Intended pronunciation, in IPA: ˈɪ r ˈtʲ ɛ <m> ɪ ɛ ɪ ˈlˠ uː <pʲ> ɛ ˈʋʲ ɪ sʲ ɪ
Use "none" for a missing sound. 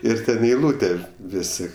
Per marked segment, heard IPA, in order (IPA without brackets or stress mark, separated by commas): n, tʲ